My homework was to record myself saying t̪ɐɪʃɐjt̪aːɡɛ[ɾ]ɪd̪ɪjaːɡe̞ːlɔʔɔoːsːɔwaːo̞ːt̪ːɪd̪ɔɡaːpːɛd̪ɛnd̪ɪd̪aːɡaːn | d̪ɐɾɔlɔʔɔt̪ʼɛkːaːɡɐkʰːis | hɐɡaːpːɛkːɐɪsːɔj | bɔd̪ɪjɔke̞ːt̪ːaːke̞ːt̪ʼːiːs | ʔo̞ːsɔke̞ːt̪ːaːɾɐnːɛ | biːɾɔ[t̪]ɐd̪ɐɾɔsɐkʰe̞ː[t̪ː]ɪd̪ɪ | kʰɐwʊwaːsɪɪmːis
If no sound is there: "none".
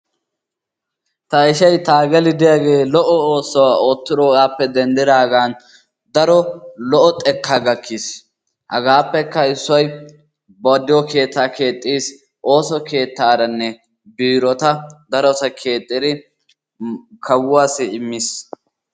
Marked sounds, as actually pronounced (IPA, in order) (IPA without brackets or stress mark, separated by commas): l, t̪, t̪ʼː